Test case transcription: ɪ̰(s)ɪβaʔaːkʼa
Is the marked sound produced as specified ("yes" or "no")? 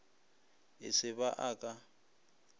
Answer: yes